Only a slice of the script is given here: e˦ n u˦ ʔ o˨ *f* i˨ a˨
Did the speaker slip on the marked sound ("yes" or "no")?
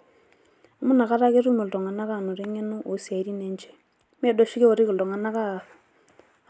yes